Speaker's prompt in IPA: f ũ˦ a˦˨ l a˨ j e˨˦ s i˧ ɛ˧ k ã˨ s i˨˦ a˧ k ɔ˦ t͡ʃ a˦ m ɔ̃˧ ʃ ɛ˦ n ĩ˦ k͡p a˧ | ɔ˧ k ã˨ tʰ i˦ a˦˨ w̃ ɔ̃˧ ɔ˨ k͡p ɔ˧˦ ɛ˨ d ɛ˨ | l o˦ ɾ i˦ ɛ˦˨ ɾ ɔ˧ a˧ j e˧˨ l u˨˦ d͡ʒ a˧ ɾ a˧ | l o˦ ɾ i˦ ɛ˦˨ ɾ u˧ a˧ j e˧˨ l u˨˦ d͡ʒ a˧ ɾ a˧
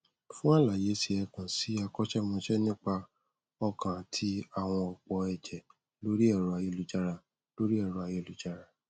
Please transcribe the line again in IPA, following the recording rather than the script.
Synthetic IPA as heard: f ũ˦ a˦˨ l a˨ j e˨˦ s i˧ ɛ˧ k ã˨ s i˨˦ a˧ k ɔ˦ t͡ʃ ɛ˦ m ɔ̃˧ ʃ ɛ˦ n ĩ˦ k͡p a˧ | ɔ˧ k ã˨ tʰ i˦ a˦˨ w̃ ɔ̃˧ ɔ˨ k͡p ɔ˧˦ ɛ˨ d͡ʒ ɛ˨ | l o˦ ɾ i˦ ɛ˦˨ ɾ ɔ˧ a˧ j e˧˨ l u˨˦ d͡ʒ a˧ ɾ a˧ | l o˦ ɾ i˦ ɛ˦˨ ɾ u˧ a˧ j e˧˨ l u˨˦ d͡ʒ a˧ ɾ a˧